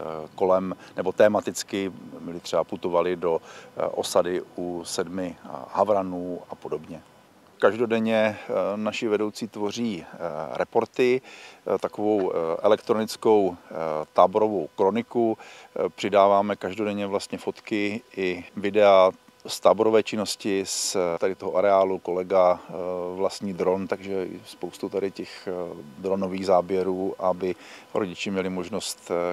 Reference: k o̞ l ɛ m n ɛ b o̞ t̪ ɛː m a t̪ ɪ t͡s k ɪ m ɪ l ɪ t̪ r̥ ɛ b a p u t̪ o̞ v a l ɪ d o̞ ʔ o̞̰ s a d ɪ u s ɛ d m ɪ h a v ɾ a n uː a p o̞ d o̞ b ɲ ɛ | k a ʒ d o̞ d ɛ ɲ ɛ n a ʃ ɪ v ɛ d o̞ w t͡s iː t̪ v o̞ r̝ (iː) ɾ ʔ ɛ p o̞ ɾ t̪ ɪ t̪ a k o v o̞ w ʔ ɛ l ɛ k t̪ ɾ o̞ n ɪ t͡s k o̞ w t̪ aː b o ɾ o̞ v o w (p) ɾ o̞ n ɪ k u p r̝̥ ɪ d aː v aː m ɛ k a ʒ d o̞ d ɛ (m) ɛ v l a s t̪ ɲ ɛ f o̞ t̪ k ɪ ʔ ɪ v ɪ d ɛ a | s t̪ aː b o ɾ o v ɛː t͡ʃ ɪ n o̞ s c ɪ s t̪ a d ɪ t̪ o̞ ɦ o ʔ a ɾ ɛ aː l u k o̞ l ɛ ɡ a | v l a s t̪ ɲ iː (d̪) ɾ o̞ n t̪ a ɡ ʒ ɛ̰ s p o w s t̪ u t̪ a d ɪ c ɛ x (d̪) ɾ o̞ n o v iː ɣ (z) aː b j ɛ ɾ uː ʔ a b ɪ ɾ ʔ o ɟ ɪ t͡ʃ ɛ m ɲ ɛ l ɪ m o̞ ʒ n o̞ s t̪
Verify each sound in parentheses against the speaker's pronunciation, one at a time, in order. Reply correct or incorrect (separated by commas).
correct, incorrect, incorrect, correct, correct, correct